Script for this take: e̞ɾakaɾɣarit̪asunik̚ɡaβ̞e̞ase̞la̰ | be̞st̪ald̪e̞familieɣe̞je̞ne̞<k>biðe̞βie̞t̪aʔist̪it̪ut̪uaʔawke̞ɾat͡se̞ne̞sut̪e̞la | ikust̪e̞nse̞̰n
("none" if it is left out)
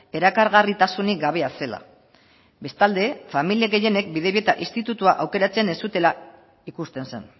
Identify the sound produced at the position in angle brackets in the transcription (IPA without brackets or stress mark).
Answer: k